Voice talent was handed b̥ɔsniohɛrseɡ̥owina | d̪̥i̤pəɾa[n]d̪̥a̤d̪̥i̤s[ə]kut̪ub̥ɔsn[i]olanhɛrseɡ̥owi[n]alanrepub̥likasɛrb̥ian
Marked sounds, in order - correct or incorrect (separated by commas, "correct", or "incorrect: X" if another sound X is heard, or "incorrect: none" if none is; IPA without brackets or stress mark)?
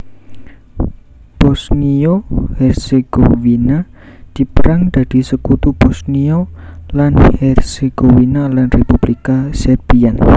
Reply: incorrect: ŋ, correct, correct, correct